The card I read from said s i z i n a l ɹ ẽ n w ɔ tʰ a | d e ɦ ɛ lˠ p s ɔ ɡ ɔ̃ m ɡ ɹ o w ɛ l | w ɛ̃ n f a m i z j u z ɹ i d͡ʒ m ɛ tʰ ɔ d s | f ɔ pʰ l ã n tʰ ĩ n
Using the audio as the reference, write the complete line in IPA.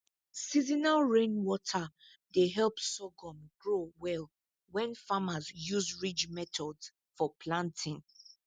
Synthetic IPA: s i z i n a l ɹ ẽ n w ɔ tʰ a | d e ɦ ɛ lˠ p s ɔ ɡ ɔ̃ m ɡ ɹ o w ɛ l | w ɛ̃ n f a m a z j u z ɹ i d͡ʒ m ɛ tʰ ɔ d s | f ɔ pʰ l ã n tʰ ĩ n